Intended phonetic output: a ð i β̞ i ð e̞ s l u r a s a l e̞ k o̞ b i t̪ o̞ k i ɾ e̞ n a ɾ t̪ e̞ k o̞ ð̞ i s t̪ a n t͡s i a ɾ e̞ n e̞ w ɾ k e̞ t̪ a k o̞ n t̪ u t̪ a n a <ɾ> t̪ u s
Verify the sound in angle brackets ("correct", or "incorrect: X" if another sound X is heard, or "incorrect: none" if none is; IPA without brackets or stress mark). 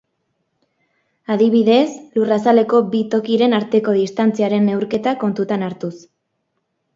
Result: correct